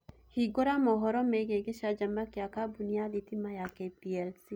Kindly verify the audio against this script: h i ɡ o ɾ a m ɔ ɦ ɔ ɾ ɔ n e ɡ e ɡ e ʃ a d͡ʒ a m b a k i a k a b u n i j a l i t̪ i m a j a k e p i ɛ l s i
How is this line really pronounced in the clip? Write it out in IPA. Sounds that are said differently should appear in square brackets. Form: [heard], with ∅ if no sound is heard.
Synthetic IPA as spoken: h i ɡ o ɾ a m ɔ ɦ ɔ ɾ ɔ [m] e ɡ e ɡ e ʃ a d͡ʒ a m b a k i a k a b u n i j a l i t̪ i m a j a k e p i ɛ l s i